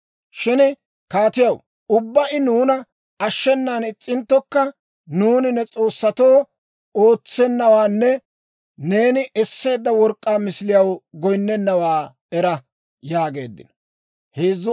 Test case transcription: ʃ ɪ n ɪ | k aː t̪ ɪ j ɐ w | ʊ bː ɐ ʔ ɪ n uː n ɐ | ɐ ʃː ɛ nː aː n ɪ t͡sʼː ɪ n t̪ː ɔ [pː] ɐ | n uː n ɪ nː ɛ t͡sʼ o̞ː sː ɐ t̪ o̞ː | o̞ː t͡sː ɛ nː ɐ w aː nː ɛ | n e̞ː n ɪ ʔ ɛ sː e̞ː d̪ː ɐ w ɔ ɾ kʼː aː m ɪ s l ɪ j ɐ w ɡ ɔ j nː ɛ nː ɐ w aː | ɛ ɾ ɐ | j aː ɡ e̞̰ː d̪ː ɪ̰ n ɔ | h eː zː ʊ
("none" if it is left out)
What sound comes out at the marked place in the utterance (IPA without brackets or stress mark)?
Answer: kː